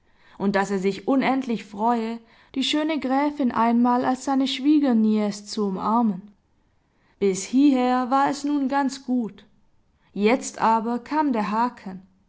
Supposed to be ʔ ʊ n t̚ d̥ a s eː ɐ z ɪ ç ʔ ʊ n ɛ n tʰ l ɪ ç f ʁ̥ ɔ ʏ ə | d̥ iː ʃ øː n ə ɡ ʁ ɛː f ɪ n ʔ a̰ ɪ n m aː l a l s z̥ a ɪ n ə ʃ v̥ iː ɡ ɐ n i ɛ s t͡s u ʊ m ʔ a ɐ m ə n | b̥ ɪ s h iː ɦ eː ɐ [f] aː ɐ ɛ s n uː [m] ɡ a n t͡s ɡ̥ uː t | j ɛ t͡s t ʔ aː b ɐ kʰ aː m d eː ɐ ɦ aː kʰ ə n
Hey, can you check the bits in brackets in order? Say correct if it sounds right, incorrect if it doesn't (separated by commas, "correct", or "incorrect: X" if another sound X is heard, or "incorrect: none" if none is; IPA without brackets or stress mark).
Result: incorrect: v, incorrect: n